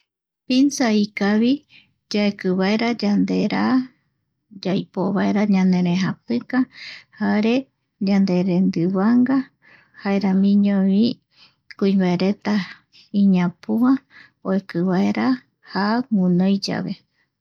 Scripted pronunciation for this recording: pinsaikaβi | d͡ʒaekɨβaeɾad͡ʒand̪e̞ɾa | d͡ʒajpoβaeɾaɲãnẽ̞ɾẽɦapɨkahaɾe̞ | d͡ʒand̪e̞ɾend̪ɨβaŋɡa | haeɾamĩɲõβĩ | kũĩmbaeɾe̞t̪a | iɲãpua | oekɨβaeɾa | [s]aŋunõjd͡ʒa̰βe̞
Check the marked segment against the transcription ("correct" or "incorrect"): incorrect